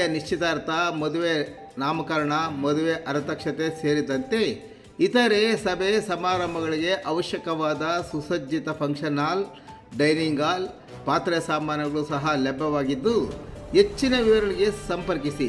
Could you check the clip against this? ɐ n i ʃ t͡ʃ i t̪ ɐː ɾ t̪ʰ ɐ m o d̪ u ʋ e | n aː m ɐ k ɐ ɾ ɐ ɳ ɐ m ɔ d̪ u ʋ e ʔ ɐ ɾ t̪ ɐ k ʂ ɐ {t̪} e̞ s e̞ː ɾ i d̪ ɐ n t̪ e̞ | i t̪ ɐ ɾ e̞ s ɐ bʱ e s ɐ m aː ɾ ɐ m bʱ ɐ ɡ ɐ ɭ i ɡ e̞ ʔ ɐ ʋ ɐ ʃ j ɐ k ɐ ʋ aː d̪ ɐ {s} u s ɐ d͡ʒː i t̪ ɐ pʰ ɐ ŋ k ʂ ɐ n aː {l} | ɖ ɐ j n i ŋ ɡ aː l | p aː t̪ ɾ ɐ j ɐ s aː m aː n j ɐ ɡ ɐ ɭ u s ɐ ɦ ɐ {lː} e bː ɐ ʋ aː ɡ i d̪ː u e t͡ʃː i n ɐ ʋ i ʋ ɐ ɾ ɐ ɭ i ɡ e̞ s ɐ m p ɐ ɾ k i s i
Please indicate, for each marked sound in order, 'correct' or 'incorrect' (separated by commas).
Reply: correct, correct, correct, incorrect